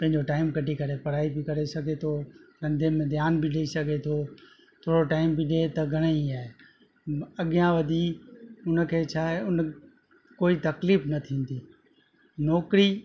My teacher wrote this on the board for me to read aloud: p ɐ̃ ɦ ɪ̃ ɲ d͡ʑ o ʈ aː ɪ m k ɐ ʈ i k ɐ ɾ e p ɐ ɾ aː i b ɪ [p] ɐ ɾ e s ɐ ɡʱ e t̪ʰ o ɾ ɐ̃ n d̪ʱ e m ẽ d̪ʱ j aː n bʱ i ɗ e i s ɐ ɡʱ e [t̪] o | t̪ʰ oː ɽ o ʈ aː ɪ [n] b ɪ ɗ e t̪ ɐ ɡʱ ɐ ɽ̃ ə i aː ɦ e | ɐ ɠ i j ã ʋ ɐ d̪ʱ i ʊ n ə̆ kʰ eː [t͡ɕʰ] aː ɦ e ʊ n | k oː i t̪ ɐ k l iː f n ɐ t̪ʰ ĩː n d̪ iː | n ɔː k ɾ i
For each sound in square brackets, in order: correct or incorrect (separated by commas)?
incorrect, incorrect, incorrect, correct